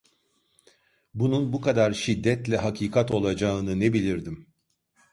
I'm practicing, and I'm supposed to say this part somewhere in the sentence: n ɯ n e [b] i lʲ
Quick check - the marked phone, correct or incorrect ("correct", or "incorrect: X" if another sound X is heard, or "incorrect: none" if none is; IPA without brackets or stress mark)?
correct